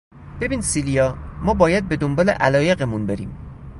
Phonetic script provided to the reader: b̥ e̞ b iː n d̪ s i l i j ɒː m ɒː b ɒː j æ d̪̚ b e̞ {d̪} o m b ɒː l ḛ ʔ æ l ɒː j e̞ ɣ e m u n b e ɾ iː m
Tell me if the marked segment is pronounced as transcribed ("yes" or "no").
yes